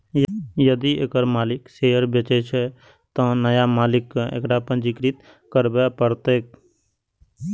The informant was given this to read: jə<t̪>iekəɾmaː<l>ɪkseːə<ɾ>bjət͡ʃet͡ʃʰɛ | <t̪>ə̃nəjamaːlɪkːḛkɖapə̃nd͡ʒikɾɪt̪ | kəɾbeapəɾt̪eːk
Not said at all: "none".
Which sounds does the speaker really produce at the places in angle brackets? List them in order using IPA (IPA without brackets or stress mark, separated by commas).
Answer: d̪, l, ɾ, t̪